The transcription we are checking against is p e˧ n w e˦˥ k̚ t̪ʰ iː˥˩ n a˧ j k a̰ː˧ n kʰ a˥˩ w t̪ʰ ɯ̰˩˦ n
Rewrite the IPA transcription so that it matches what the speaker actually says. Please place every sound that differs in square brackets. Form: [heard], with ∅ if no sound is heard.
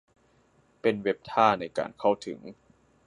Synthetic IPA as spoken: p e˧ n w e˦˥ [p̚] t̪ʰ [aː˥˩] n a˧ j k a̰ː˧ n kʰ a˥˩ w t̪ʰ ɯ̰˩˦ [ŋ]